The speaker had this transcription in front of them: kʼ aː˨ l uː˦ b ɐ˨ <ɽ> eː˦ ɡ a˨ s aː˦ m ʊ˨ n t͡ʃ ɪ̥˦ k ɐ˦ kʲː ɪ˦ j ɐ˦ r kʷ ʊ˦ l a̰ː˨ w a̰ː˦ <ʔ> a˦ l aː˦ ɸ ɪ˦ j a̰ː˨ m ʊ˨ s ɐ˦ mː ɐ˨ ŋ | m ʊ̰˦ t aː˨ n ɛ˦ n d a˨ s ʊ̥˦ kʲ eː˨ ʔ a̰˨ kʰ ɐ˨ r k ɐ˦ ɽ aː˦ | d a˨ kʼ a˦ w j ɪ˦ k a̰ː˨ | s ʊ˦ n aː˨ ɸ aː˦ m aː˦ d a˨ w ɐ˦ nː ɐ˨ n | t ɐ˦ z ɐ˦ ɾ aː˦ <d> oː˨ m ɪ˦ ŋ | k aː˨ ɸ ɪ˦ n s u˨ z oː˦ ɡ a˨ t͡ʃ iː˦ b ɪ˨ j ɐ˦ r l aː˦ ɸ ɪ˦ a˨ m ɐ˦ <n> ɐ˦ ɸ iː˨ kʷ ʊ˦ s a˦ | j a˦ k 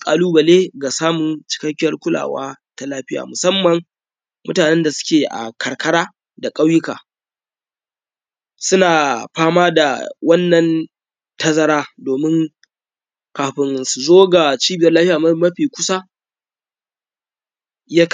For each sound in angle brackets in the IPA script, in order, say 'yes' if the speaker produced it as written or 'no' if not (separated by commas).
no, no, yes, no